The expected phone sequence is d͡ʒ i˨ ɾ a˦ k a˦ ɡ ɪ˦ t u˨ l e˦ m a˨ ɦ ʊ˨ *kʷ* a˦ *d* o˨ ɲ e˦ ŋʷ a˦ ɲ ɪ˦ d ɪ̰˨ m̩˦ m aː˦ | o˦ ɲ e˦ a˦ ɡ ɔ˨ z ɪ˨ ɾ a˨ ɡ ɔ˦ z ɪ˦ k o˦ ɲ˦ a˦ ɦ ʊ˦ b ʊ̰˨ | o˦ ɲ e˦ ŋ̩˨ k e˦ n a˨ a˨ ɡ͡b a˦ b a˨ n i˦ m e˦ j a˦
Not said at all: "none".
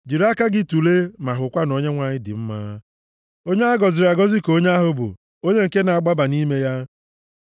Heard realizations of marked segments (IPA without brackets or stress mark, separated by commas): kʷ, n